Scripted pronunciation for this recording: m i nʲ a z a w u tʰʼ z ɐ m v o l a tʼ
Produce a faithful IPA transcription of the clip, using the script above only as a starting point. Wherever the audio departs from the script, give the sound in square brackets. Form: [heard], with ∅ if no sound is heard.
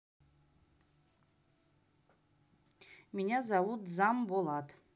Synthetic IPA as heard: m i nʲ a z a w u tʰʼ z [a] m [b] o l a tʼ